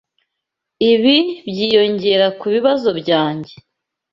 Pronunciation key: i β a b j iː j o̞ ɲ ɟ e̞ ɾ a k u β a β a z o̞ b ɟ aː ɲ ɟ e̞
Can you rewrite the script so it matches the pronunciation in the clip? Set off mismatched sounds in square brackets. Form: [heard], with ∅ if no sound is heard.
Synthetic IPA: i β [i] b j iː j o̞ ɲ ɟ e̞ ɾ a k u β [i] β a z o̞ b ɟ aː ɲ ɟ e̞